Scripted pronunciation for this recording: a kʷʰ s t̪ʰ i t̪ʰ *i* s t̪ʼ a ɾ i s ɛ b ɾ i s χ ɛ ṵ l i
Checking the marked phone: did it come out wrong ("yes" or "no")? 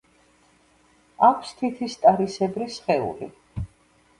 no